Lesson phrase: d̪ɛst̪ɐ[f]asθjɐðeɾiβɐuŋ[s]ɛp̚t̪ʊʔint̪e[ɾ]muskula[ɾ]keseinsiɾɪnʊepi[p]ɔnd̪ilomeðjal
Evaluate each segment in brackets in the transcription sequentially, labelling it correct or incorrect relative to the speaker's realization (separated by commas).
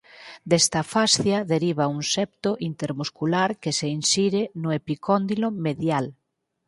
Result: correct, correct, correct, correct, incorrect